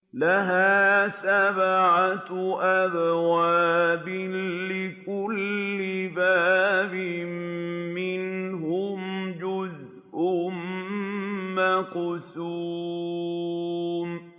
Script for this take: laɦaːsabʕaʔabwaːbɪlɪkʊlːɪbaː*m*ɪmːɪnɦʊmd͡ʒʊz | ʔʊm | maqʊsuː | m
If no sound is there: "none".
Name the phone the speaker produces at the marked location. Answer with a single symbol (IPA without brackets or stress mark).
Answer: b